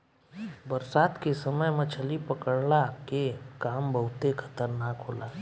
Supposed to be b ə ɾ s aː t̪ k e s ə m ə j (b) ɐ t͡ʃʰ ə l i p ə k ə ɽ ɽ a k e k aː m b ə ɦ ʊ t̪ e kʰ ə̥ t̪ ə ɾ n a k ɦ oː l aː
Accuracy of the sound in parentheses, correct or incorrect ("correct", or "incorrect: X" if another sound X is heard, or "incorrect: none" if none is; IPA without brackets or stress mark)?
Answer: incorrect: m